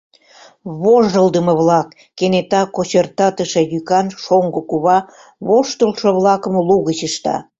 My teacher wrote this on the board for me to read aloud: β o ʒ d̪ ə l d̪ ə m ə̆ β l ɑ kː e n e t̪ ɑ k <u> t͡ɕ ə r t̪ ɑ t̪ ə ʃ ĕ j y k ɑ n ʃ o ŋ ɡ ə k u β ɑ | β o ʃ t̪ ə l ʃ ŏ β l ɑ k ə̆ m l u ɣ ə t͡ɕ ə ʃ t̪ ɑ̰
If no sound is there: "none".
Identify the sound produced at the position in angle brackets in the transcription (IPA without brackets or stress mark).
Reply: o